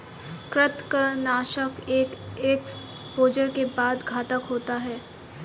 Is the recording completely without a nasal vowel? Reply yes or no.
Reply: yes